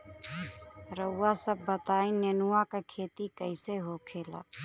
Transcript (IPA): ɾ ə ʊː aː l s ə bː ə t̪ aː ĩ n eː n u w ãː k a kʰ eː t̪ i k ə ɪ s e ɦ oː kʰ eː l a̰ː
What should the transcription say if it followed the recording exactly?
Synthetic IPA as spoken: ɾ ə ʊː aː s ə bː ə t̪ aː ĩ n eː n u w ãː k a kʰ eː t̪ i k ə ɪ s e ɦ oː kʰ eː l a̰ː